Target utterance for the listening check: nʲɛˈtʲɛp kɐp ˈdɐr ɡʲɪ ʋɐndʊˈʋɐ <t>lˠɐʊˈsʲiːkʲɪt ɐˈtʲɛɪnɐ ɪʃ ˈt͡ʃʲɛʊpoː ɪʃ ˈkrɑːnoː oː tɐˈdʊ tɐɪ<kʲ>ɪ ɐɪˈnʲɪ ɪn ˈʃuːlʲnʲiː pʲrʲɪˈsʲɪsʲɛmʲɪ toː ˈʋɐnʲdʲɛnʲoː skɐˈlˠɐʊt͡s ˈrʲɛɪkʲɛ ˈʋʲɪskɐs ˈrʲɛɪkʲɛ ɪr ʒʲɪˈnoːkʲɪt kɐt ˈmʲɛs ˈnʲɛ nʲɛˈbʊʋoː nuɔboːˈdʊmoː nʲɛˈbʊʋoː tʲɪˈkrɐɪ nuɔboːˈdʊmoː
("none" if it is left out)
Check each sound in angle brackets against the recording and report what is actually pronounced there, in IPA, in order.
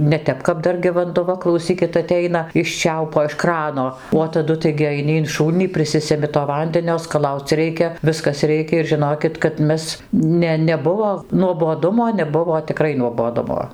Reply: k, ɡʲ

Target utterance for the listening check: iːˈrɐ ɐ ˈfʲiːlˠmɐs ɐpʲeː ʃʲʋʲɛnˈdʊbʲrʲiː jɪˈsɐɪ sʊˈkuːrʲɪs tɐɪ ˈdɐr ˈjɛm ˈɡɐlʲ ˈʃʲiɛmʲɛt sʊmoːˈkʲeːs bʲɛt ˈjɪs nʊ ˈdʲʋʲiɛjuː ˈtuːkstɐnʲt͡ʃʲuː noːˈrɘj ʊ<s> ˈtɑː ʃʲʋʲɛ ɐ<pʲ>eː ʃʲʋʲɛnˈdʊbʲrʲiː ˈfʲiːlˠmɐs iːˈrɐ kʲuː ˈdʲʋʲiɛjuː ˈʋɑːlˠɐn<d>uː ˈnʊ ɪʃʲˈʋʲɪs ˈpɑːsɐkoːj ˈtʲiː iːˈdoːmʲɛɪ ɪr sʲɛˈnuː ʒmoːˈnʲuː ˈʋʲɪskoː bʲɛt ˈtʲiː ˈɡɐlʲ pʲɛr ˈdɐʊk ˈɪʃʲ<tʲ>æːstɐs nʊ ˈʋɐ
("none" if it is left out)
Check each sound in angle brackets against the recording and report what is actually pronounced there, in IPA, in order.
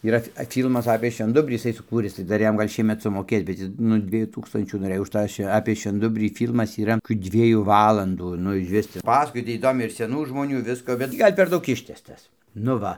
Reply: ʃ, pʲ, d, tʲ

